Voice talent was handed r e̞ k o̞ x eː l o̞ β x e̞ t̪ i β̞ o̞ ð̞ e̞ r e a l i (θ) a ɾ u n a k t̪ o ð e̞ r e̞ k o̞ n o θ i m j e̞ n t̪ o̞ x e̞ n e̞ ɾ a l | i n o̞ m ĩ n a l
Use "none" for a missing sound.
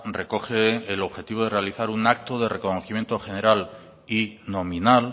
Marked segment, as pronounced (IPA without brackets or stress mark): θ